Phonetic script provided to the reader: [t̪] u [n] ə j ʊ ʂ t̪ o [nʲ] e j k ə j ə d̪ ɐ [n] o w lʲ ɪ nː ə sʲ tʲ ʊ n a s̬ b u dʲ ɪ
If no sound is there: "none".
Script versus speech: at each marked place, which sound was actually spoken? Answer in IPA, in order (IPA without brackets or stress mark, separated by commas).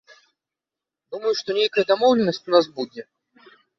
d̪, m, nʲ, m